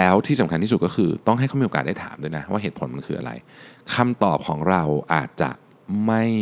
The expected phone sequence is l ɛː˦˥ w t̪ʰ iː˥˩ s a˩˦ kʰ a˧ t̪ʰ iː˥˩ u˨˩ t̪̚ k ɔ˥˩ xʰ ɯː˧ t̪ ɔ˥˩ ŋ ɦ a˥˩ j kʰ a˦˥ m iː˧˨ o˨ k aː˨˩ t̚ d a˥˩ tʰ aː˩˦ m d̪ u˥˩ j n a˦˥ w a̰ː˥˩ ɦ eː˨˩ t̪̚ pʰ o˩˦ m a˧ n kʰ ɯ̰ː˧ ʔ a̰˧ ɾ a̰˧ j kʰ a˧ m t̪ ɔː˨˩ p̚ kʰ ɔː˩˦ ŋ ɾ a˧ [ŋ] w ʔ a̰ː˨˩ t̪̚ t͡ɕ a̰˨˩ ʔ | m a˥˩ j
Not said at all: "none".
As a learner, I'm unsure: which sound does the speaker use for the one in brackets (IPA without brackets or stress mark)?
none